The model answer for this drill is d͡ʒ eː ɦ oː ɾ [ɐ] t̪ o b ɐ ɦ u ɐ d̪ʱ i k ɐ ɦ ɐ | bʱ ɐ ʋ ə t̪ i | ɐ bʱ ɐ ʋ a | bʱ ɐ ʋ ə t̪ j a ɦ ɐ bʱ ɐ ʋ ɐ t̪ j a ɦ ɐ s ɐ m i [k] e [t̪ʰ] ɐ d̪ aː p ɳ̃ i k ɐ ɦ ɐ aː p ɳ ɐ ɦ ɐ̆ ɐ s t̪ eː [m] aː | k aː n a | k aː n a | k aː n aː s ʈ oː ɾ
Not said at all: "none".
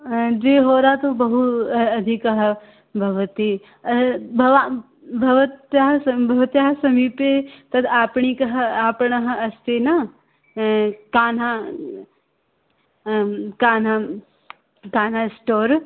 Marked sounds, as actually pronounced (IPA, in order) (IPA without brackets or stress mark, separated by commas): a, p, t̪, n